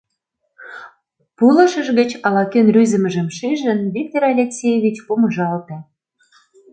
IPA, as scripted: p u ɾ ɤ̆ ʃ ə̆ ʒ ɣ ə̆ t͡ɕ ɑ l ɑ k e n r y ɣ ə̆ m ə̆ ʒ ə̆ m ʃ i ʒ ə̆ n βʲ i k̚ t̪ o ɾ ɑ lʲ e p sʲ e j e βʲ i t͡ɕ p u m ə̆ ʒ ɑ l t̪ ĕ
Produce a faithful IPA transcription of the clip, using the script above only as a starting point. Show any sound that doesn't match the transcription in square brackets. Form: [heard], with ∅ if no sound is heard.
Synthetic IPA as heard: p u [l] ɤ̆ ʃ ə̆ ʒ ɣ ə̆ t͡ɕ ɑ l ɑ k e n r y [z] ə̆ m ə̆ ʒ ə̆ m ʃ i ʒ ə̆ n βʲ i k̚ t̪ o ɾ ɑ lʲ e [k] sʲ e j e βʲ i t͡ɕ p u m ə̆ ʒ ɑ l t̪ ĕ